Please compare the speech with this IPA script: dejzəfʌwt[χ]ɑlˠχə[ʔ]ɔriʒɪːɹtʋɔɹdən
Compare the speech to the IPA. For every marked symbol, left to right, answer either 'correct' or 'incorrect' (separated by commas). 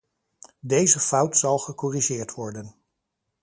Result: incorrect, incorrect